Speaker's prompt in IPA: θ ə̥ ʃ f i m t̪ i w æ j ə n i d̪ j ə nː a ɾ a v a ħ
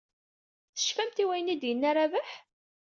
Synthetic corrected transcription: θ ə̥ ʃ f æ m t̪ i w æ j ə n i d̪ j ə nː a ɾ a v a ħ